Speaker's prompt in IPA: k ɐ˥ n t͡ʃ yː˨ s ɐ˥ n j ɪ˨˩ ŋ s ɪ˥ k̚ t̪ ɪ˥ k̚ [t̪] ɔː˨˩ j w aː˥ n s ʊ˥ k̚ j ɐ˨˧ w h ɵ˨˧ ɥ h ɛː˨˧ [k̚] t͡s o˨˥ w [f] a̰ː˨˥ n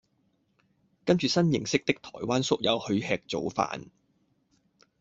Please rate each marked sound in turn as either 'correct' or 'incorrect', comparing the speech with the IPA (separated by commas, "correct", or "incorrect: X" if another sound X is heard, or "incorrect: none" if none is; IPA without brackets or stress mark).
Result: incorrect: t̪ʰ, correct, correct